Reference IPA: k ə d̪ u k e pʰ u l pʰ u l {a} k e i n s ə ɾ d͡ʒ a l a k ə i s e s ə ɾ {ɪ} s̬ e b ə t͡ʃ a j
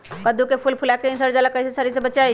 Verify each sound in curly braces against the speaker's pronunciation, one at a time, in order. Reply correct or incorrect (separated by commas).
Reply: correct, incorrect